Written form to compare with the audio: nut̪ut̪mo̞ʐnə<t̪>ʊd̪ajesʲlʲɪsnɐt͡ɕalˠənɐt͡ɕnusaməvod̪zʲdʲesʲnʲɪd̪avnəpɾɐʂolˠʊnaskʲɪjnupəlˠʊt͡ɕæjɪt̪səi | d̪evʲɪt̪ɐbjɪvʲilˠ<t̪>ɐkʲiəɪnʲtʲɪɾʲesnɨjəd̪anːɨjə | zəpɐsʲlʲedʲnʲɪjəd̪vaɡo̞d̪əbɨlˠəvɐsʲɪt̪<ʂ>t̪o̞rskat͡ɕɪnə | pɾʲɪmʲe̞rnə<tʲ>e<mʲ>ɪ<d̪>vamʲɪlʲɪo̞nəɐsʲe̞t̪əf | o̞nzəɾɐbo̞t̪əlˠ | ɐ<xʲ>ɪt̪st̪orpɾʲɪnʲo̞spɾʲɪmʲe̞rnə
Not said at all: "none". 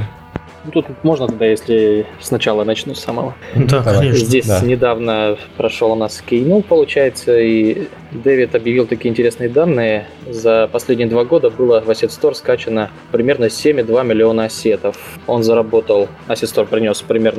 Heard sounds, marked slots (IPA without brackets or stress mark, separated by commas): t̪, t̪, s, sʲ, mʲ, d̪, sʲ